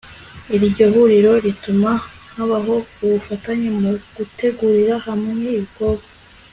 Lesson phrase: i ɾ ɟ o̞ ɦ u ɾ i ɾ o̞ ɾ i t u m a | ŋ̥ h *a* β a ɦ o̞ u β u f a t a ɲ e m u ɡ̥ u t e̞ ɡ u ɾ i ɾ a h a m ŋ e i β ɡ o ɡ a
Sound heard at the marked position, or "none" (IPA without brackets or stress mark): a